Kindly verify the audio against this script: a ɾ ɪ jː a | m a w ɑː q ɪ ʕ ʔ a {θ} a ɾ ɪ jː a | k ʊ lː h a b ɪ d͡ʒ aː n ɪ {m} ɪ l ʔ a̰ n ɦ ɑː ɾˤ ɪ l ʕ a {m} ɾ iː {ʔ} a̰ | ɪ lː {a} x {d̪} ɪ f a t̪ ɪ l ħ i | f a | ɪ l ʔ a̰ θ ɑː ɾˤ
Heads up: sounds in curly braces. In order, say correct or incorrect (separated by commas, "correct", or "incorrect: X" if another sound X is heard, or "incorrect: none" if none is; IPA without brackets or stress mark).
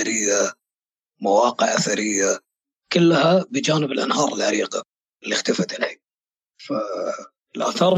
correct, incorrect: b, incorrect: none, incorrect: q, incorrect: i, incorrect: t̪